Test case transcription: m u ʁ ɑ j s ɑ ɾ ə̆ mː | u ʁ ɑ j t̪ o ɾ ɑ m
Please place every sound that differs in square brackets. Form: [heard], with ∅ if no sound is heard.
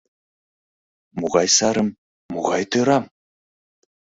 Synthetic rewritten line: m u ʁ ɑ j s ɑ ɾ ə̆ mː | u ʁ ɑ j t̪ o ɾ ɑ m